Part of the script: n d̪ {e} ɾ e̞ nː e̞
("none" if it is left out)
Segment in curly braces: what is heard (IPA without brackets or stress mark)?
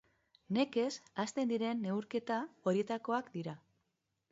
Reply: i